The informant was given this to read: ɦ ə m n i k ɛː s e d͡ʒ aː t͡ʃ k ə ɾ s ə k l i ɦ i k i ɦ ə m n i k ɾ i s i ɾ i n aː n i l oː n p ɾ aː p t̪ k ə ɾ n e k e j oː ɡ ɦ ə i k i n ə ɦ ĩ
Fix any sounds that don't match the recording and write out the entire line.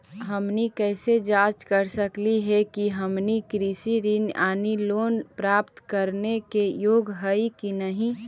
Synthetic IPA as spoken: ɦ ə m n i k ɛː s e d͡ʒ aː t͡ʃ k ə ɾ s ə k l i ɦ ɛ k i ɦ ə m n i k ɾ i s i ɾ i n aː n i l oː n p ɾ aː p t̪ k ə ɾ n e k e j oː ɡ ɦ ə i k i n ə ɦ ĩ